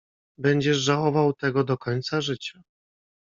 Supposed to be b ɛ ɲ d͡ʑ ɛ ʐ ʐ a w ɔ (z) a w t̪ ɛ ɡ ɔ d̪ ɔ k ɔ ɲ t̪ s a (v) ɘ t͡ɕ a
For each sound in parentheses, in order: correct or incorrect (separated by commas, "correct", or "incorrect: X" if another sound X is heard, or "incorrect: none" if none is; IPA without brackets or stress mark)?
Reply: incorrect: v, incorrect: ʐ